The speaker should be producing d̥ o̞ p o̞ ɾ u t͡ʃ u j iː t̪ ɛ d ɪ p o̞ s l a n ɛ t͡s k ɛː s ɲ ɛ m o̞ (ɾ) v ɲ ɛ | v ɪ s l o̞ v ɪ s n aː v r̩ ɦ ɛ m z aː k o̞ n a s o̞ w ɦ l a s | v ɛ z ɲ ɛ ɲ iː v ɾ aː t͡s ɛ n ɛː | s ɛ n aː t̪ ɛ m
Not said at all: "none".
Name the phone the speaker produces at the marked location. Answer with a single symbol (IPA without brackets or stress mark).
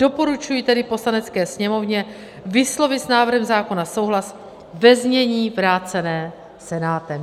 none